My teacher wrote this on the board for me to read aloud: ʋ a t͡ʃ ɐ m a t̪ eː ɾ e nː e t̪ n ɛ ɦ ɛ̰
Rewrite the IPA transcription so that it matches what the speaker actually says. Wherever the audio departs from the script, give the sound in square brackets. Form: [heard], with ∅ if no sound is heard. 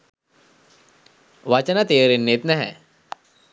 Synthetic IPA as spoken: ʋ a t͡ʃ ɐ [n] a t̪ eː ɾ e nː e t̪ n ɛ ɦ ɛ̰